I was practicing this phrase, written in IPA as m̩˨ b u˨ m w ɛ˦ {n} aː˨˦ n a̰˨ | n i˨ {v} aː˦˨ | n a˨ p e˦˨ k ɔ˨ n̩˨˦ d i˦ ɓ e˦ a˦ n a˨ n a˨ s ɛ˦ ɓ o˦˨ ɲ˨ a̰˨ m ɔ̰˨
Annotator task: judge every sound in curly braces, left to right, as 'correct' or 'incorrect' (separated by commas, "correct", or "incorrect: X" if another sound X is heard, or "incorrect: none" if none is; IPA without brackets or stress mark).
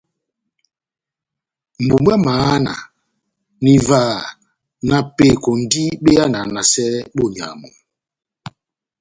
incorrect: m, correct